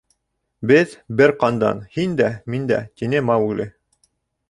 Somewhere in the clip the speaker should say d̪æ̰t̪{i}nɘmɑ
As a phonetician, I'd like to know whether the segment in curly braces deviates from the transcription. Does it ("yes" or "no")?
no